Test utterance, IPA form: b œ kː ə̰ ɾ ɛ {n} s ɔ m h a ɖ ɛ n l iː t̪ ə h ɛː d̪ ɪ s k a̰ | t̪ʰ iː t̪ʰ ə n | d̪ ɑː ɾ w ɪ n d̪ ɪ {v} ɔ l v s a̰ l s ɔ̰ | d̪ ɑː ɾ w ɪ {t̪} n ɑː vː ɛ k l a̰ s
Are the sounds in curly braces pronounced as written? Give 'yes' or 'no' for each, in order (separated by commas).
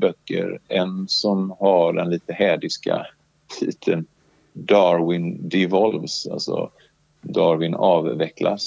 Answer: yes, yes, no